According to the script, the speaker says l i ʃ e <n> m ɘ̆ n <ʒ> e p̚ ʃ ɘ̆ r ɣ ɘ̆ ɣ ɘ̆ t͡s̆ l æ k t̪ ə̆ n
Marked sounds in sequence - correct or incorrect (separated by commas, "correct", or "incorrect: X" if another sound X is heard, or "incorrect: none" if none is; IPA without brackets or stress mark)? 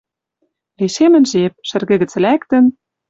incorrect: none, correct